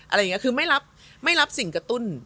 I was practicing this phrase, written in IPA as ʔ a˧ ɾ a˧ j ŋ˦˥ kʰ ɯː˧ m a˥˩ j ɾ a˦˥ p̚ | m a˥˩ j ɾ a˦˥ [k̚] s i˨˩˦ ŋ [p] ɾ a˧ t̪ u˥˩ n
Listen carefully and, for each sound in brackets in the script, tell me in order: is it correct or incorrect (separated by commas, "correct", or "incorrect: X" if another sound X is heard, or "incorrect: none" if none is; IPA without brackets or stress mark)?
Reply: incorrect: p̚, incorrect: k